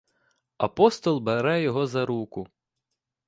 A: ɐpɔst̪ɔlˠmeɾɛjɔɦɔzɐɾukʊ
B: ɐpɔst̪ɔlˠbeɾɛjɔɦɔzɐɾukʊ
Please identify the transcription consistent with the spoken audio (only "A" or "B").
B